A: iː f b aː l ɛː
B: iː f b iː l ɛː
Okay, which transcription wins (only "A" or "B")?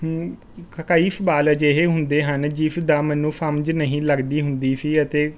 A